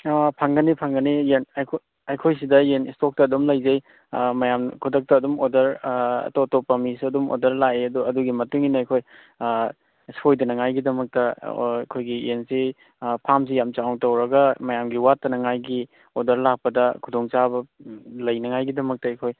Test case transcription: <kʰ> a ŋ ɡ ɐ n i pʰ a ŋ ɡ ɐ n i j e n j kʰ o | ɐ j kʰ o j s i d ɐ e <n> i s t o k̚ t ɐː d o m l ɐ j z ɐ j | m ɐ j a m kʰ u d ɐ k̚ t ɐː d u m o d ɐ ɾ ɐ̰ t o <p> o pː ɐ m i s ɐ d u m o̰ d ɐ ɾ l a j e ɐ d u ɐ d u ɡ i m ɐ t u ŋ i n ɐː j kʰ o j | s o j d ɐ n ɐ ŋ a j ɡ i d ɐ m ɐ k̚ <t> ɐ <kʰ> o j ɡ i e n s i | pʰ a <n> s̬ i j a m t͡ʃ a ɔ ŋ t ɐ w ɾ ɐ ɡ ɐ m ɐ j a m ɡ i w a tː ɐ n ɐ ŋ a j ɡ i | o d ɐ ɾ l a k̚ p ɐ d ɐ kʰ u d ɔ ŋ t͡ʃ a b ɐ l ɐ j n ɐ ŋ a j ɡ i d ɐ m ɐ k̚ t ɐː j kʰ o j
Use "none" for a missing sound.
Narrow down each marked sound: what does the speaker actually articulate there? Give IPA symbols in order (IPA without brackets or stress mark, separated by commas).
pʰ, n, t, t, kʰ, m